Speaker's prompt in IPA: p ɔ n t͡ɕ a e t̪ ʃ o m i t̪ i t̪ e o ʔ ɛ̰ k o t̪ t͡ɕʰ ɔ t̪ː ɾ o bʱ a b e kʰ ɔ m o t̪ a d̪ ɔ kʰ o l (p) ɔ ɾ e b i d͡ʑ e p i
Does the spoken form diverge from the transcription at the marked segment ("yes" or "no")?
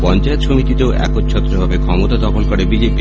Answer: yes